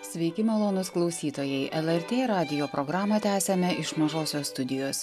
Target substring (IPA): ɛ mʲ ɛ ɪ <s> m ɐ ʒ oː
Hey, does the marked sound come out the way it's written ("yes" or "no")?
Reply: no